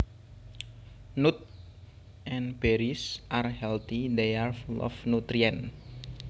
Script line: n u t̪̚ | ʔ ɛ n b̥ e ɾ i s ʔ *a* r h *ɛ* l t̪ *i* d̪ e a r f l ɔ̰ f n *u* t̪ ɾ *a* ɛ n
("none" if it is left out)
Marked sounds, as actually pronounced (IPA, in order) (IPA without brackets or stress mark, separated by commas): a, ɛ, i, u, i